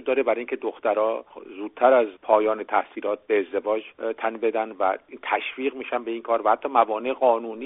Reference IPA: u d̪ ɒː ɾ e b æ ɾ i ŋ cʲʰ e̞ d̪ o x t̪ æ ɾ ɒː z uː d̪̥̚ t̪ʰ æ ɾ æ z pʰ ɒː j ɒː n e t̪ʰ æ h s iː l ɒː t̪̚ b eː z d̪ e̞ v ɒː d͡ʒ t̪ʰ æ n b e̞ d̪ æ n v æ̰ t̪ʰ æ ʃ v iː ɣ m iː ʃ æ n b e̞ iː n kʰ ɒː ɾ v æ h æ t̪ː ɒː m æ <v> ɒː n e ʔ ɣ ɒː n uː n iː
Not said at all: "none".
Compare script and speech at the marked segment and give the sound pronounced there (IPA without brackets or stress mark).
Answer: v